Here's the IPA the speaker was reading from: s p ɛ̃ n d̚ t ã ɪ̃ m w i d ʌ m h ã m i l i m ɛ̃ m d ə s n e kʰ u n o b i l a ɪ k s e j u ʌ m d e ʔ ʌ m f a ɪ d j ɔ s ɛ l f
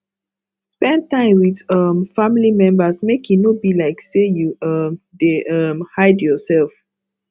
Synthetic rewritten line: s p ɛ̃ n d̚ t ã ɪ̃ m w i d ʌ m f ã m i l i m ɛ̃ m b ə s m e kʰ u n o b i l a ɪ k s e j u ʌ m d e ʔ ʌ m h a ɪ d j ɔ s ɛ l f